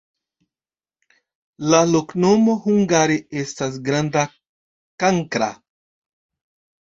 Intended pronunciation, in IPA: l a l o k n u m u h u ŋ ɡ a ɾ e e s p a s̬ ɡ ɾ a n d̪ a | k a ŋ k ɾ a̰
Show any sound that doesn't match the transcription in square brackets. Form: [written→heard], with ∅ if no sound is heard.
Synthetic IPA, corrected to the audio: l a l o k n [u→o] m [u→o] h u ŋ ɡ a ɾ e e s [p→t] a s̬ ɡ ɾ a n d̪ a | k a ŋ k ɾ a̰